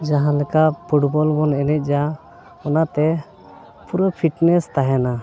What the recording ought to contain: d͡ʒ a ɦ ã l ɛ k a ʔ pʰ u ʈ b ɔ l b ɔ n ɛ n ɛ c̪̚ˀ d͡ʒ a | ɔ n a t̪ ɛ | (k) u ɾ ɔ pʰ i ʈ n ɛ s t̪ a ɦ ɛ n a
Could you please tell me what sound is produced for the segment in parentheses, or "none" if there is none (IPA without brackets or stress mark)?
p